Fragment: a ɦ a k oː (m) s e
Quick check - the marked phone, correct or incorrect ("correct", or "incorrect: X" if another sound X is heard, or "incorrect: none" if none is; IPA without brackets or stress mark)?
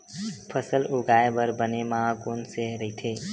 incorrect: n